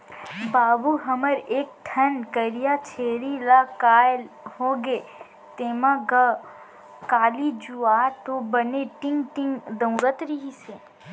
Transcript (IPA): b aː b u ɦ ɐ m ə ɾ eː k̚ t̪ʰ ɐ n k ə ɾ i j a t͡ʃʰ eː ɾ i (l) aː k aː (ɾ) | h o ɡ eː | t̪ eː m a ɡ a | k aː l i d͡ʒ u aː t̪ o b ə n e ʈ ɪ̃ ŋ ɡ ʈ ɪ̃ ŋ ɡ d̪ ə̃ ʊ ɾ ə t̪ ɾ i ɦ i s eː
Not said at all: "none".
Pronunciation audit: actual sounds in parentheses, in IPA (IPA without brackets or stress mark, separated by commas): l, l